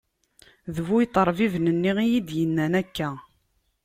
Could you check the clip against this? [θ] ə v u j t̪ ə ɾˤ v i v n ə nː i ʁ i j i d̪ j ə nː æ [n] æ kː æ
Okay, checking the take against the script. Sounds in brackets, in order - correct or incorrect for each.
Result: incorrect: ð, correct

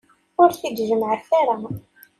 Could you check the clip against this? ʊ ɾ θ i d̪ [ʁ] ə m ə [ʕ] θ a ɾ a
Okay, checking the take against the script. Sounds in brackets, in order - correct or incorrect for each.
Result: incorrect: ʒ, correct

